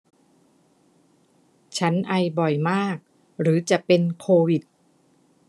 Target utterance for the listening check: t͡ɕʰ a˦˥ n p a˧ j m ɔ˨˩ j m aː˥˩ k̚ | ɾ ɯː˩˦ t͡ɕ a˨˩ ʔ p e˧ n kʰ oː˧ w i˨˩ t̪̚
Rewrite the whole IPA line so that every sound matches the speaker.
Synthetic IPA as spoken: t͡ɕʰ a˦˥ n ʔ a˧ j b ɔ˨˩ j m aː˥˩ k̚ | ɾ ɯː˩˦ t͡ɕ a˨˩ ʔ p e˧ n kʰ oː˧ w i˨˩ t̪̚